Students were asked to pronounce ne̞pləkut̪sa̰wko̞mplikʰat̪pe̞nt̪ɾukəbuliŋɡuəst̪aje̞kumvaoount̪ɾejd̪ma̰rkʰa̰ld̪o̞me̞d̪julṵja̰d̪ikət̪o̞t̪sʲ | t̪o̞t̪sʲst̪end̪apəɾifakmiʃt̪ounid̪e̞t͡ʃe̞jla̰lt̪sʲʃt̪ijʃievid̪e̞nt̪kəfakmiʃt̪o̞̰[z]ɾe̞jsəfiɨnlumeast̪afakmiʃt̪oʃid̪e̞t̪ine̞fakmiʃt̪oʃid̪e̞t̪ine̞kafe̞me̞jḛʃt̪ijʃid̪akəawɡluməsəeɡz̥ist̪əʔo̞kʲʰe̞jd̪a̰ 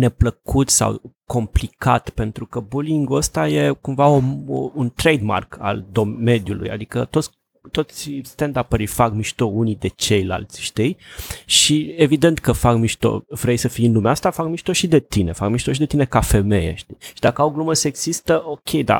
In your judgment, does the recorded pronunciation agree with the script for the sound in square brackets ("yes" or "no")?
no